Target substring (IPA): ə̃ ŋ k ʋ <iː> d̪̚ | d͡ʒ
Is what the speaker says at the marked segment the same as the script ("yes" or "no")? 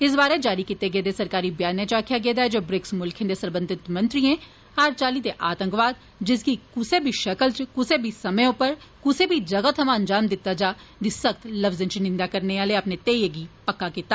no